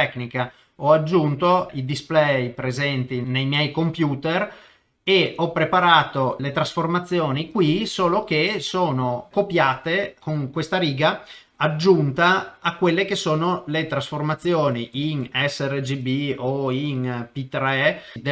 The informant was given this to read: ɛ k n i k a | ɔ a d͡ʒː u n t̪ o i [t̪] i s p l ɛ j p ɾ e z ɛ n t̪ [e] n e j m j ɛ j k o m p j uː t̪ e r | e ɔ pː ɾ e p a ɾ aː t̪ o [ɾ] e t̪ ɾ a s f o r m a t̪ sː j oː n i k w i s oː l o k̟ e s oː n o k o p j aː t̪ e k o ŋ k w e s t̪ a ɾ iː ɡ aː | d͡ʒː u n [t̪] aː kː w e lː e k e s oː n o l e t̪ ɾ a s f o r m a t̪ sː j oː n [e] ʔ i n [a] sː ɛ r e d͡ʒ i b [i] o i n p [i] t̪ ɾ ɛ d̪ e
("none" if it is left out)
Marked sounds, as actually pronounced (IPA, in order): d̪, i, l, t̪, i, ɛ, i, i

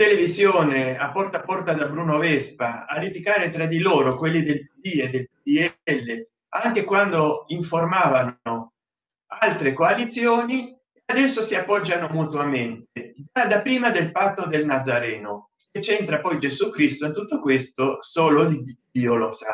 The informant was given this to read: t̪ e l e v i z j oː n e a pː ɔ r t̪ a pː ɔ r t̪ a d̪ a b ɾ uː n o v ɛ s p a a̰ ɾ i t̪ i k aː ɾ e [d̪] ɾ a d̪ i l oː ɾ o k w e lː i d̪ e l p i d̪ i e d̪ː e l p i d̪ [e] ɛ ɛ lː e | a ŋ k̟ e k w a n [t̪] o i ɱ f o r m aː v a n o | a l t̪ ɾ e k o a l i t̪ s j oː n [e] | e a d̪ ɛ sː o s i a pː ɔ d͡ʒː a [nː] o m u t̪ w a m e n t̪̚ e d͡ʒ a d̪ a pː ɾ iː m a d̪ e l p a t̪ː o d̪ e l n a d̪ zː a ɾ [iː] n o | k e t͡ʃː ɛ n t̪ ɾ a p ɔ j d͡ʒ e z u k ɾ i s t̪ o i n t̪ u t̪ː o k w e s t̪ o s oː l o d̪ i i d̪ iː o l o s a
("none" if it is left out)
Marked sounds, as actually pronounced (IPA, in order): t̪, i, d̪, i, n, ɛː

